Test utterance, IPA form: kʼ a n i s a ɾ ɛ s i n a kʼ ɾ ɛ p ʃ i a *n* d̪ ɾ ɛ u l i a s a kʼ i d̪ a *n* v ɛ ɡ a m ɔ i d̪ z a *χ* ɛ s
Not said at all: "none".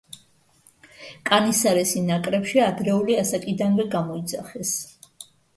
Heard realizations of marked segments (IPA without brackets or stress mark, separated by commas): none, n, χ